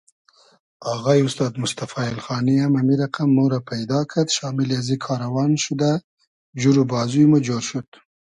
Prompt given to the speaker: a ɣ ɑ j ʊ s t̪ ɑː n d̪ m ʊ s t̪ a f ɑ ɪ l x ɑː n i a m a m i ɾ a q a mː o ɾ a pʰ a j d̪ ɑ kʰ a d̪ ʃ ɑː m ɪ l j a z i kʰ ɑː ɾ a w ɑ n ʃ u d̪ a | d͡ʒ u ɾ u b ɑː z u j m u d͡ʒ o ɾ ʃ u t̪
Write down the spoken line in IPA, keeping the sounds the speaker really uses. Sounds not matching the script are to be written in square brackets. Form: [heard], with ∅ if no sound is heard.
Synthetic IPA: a ɣ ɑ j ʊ s t̪ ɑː [∅] d̪ m ʊ s t̪ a f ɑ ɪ l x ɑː n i a m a m i ɾ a q a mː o ɾ a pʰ a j d̪ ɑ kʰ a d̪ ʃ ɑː m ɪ l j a z i kʰ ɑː ɾ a w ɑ n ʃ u d̪ a | d͡ʒ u ɾ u b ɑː z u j m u d͡ʒ o ɾ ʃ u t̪